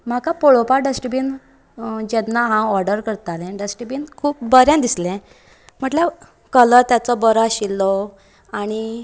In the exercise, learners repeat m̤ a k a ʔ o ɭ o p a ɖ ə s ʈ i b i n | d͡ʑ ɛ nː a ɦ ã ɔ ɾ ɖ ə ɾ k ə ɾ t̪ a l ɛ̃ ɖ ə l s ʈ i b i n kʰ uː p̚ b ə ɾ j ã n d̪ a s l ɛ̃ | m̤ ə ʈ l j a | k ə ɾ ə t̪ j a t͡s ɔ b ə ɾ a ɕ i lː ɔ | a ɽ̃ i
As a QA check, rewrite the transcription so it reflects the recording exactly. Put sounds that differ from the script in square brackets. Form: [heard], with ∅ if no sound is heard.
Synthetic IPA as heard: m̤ a k a [p] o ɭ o p a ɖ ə s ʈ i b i n | d͡ʑ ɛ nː a ɦ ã ɔ ɾ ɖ ə ɾ k ə ɾ t̪ a l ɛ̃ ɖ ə [∅] s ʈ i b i n kʰ uː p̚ b ə ɾ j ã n d̪ [i] s l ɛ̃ | m̤ ə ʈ l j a | k ə [l] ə t̪ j a t͡s ɔ b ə ɾ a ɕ i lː ɔ | a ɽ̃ i